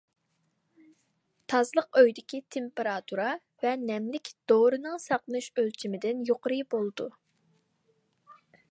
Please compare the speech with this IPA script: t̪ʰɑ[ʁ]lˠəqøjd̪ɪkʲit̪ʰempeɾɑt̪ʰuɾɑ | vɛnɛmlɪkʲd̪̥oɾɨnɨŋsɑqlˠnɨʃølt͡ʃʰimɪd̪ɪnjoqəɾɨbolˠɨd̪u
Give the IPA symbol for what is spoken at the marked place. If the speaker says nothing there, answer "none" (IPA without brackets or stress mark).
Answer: z